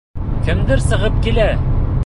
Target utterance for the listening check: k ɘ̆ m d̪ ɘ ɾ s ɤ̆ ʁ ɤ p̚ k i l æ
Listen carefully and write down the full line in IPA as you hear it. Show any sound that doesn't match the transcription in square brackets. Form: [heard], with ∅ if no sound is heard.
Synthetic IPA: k ɘ̆ m d̪ ɘ ɾ s ɤ̆ ʁ ɤ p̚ k i l æ